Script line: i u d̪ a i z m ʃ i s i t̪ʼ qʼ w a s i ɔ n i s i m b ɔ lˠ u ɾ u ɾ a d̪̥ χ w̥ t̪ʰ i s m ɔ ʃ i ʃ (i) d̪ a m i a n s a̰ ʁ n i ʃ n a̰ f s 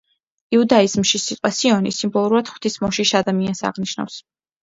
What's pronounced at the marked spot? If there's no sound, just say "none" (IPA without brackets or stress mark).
a